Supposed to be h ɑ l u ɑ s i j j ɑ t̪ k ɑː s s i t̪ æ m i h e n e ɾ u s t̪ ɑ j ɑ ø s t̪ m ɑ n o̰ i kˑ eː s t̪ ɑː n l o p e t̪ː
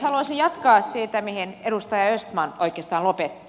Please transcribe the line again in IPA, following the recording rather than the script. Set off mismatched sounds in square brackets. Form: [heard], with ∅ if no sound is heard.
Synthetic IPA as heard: h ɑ l u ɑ s i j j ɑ t̪ k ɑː s s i t̪ æ m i h e n e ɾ u s t̪ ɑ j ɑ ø s t̪ m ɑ n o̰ i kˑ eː s t̪ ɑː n l o p e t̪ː